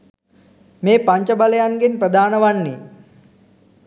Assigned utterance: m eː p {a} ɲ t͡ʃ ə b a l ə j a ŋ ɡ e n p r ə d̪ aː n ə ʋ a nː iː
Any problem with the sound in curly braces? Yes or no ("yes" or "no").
no